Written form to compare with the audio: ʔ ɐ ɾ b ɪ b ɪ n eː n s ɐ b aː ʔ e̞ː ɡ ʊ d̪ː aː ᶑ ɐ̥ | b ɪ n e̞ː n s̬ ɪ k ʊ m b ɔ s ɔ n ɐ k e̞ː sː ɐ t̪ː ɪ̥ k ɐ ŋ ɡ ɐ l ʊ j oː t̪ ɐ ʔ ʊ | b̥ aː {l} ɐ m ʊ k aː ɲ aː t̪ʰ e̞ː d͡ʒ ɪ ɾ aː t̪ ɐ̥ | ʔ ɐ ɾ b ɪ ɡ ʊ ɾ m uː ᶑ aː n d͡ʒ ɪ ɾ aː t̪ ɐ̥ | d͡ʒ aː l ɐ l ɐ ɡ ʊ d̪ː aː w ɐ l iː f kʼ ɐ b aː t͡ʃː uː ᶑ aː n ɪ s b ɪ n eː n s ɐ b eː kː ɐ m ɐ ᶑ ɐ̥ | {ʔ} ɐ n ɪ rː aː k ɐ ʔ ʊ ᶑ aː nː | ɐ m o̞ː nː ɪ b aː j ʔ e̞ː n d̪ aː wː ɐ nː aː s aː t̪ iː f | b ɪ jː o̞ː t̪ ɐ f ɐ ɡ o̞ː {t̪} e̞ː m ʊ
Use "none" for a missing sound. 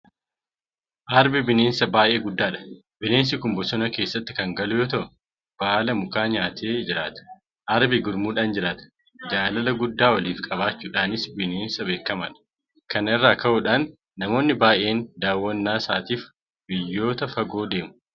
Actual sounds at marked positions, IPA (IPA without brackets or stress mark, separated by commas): l, k, d̪